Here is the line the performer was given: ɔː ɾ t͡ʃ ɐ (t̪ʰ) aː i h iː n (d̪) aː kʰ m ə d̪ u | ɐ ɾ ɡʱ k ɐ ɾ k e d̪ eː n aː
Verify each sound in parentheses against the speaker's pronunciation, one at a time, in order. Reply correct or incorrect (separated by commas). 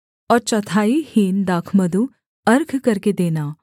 correct, correct